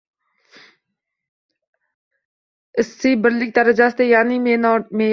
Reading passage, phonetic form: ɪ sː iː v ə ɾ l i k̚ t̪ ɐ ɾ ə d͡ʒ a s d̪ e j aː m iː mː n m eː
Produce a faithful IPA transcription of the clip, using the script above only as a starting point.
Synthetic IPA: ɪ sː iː b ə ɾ l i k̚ t̪ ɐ ɾ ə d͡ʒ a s t̪ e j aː n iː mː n m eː